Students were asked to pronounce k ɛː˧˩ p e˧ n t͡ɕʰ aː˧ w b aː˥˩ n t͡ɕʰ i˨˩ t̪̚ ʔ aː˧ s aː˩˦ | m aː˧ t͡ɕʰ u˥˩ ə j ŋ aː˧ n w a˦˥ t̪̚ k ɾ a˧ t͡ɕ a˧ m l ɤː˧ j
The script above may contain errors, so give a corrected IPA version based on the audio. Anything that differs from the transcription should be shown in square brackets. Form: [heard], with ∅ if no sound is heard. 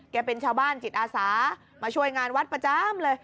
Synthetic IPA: k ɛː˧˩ p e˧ n t͡ɕʰ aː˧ w b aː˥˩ n [t͡ɕ] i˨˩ t̪̚ ʔ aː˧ s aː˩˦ | m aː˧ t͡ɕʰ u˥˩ ə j ŋ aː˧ n w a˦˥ t̪̚ [p] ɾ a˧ t͡ɕ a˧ m l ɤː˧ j